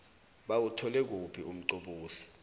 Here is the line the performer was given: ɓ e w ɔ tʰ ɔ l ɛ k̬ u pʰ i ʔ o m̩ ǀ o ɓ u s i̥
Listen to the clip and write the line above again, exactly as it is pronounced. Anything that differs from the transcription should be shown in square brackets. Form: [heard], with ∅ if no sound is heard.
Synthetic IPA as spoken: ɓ [a] w [u] tʰ ɔ l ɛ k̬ u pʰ i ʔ [u] m̩ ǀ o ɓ [uː] s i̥